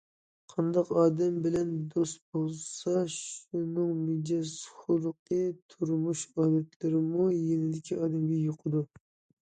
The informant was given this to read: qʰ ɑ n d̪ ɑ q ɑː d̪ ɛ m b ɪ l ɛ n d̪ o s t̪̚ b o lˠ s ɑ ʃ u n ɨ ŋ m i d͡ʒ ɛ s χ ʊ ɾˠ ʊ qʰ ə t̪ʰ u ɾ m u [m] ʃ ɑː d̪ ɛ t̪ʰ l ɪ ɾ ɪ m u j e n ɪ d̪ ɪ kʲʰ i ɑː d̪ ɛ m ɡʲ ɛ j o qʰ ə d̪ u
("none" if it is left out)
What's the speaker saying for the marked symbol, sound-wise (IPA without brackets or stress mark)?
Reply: none